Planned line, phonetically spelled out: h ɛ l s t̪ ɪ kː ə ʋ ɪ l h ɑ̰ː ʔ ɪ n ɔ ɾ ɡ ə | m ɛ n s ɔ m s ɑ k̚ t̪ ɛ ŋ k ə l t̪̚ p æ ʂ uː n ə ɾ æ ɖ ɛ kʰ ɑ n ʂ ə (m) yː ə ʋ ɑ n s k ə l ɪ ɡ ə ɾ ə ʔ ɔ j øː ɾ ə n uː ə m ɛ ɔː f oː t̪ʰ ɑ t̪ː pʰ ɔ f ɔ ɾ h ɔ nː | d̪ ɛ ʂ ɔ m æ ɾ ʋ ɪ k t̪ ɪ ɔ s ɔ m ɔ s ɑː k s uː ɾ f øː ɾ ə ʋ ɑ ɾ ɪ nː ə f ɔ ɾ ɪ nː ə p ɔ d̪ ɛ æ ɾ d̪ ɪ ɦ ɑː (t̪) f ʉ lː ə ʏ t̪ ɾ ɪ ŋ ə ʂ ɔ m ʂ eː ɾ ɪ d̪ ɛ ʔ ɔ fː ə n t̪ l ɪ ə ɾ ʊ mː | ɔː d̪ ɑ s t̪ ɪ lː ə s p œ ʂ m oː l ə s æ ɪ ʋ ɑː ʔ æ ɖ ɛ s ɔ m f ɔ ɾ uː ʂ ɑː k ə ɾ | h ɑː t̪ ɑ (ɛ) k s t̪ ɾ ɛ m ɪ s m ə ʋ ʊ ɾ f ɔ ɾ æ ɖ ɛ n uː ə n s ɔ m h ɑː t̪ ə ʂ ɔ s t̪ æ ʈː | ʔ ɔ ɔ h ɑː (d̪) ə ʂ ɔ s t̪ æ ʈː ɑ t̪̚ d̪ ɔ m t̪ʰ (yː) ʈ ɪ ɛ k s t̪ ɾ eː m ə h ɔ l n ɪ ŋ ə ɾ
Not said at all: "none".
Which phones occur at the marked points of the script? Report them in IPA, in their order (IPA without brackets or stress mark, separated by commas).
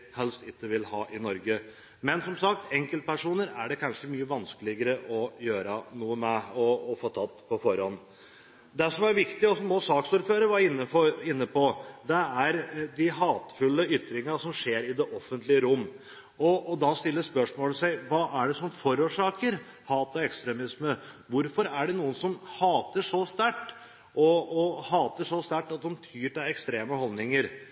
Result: m, t̪, ɛ, t̪, yː